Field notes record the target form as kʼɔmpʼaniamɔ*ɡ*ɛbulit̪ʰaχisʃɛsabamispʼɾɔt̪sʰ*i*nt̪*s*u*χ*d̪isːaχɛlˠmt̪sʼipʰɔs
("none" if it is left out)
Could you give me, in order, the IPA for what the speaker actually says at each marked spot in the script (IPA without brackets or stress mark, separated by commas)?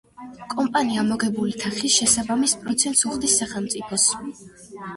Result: ɡ, ɛ, s, χ